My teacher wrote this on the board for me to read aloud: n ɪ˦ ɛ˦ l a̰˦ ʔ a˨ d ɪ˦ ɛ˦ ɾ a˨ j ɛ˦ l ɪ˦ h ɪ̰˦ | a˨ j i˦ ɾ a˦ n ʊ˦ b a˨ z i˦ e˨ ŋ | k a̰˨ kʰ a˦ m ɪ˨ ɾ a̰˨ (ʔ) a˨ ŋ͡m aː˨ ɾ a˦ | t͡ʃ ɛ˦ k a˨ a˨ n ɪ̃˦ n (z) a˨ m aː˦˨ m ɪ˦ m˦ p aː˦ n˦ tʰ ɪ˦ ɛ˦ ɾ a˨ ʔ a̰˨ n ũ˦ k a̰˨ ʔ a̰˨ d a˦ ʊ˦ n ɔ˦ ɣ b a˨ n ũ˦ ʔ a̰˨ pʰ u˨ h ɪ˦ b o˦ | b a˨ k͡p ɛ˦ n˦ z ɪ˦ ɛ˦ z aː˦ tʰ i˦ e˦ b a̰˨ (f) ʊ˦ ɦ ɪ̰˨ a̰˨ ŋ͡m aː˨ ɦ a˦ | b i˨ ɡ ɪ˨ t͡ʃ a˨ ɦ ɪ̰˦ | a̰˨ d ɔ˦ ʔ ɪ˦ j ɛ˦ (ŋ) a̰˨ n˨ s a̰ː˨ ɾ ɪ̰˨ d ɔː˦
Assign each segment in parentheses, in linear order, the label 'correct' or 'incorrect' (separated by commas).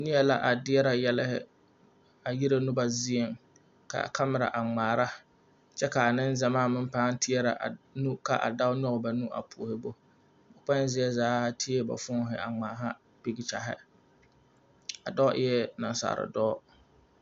correct, correct, correct, incorrect